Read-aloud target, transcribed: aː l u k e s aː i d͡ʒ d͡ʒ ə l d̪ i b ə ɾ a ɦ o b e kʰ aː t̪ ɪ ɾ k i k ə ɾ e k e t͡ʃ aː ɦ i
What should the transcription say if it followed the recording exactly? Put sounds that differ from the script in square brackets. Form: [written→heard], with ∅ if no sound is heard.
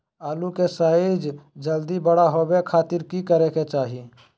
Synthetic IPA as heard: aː l u k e s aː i d͡ʒ d͡ʒ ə l d̪ i b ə [ɾ→ɽ] a ɦ o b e kʰ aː t̪ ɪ ɾ k i k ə ɾ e k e t͡ʃ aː ɦ i